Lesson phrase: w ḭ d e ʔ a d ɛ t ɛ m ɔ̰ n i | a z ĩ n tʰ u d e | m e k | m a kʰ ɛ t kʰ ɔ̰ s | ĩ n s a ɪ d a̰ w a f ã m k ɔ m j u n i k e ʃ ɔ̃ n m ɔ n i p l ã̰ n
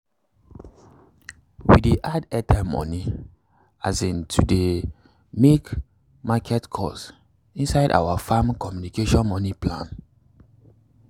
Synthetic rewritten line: w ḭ d e ʔ a d ɛ t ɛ m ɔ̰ n i | a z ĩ n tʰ u d e | m e k | m a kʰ ɛ t kʰ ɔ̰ s | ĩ n s a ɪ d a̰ w a f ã m k ɔ m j u n i k e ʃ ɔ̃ n m ɔ n i p l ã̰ n